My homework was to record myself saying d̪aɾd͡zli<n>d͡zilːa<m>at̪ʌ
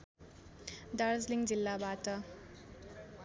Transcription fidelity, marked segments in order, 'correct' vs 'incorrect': incorrect: ŋ, incorrect: b

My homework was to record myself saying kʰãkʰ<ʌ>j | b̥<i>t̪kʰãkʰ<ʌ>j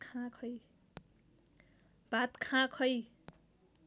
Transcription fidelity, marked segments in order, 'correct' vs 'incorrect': correct, incorrect: a, correct

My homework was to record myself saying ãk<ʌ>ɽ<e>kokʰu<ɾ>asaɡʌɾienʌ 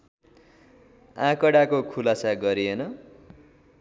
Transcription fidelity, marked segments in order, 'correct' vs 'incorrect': correct, incorrect: a, incorrect: l

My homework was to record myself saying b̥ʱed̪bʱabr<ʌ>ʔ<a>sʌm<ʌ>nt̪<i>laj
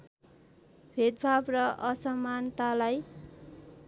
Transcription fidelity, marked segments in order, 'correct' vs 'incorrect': correct, incorrect: ʌ, incorrect: a, incorrect: a

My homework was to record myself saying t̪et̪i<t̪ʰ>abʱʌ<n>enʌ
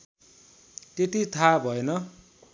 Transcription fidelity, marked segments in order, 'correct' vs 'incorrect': correct, incorrect: none

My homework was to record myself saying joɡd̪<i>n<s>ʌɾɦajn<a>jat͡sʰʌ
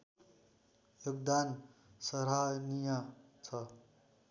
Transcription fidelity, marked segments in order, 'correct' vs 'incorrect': incorrect: a, correct, incorrect: i

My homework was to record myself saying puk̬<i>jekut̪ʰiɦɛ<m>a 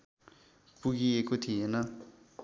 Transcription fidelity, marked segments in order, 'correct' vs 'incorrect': correct, incorrect: n

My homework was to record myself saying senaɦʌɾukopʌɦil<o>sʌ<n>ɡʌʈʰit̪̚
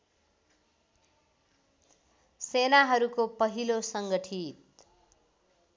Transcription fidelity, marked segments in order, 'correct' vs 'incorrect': correct, incorrect: ŋ

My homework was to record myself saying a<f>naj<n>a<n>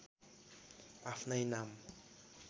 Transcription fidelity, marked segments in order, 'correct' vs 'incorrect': correct, correct, incorrect: m

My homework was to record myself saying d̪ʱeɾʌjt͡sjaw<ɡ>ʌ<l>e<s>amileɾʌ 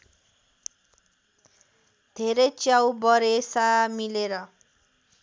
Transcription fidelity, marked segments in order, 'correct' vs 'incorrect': incorrect: b, incorrect: ɾ, correct

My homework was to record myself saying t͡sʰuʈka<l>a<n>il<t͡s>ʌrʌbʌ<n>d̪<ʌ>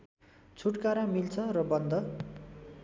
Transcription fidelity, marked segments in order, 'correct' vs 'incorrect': incorrect: ɾ, incorrect: m, incorrect: t͡sʰ, correct, correct

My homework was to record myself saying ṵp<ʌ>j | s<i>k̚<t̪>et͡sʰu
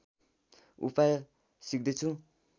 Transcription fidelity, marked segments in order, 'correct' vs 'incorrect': incorrect: a, correct, incorrect: d̪

